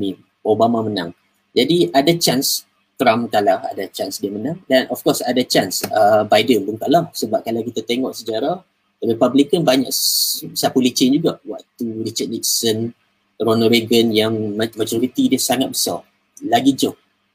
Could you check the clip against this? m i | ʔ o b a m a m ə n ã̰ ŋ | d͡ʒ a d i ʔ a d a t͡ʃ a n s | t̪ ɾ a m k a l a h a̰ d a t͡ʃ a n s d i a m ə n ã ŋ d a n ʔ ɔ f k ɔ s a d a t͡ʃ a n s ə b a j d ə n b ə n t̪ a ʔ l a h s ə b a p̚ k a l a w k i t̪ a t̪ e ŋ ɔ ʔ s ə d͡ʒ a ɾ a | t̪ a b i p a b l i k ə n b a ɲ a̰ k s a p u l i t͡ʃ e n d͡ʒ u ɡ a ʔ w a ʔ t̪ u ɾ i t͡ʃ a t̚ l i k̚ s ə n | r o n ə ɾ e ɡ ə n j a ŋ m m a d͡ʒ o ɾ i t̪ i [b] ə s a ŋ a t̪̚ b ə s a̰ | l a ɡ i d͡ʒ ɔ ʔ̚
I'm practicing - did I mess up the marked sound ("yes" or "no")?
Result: yes